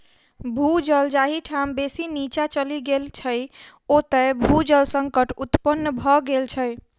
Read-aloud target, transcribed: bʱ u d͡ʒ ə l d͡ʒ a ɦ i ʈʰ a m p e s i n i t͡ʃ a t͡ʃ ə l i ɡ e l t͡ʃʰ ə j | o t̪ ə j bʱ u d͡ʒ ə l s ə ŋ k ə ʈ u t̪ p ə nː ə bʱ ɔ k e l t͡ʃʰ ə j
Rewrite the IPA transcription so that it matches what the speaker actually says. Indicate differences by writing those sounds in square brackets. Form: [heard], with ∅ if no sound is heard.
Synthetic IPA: bʱ u d͡ʒ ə l d͡ʒ a ɦ i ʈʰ a m [b] e s i n i t͡ʃ a t͡ʃ ə l i ɡ e l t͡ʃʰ ə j | o t̪ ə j bʱ u d͡ʒ ə l s ə ŋ k ə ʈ u t̪ p ə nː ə bʱ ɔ [ɡ] e l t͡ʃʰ ə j